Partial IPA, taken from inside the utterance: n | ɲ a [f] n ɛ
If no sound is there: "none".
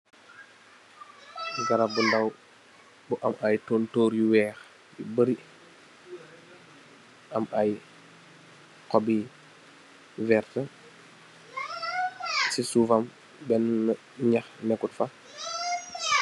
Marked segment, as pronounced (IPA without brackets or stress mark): x